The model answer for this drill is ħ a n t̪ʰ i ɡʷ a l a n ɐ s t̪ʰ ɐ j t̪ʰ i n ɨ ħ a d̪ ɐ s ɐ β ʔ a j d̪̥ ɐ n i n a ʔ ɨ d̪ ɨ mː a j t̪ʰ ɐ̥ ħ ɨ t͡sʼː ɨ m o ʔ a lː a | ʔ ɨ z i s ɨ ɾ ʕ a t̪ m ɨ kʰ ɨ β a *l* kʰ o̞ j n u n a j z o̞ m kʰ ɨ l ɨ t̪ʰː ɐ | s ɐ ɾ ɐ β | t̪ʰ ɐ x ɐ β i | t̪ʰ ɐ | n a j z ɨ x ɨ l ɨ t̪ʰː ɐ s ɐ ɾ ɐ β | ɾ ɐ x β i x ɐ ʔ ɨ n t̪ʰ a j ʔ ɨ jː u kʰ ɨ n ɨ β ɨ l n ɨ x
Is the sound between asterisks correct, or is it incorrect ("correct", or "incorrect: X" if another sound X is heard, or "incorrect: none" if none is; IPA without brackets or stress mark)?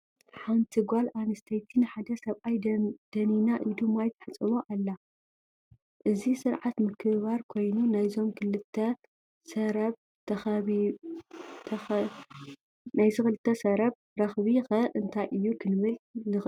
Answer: incorrect: ɾ